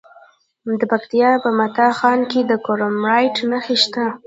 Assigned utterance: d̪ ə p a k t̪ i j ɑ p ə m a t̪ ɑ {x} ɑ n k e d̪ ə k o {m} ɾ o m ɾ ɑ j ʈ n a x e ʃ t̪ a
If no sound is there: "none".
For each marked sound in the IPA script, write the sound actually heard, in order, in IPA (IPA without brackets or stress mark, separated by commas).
x, none